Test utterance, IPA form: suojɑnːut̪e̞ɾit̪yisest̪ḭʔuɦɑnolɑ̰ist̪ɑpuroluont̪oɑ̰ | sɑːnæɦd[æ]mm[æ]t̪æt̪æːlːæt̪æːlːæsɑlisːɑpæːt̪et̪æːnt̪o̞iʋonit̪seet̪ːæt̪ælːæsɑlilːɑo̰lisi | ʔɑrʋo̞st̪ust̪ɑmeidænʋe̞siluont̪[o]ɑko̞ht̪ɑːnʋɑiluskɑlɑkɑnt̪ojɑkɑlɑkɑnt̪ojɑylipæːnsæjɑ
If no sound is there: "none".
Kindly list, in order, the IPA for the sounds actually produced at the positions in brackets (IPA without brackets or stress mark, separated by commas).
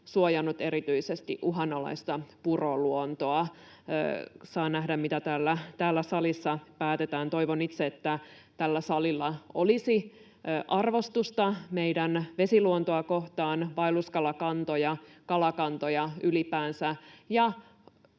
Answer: æ, i, o